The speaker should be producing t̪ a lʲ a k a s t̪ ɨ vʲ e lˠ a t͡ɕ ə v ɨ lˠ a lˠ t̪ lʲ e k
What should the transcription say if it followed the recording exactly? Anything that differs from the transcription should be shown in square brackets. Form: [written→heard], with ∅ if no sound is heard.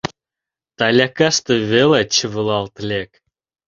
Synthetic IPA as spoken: t̪ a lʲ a k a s t̪ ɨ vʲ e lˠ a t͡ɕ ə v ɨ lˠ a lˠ t̪ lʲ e k